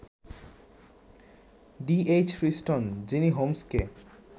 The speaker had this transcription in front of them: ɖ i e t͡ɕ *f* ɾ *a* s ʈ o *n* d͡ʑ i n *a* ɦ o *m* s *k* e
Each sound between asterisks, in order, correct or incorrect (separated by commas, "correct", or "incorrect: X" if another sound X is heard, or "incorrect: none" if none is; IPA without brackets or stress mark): correct, incorrect: i, correct, incorrect: i, correct, correct